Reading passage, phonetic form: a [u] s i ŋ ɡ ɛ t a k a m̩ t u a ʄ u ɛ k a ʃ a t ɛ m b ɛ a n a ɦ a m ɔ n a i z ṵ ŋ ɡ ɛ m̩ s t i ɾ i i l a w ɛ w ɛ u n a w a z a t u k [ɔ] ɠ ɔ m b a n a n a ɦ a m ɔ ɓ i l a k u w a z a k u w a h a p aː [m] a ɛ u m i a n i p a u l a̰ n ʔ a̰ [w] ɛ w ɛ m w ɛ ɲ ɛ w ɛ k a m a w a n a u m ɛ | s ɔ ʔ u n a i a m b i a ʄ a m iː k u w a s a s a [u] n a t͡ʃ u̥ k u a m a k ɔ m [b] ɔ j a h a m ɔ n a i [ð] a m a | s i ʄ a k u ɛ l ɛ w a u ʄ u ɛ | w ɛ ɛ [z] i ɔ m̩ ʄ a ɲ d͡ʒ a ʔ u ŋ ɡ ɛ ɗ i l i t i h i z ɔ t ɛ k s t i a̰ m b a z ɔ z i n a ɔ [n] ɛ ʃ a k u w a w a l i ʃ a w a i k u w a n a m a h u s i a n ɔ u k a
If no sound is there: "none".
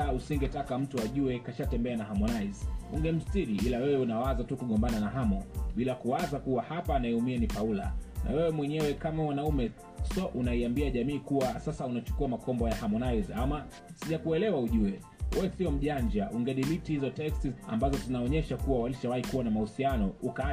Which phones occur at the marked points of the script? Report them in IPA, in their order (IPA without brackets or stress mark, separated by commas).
u, u, n, w, u, b, z, s, ɲ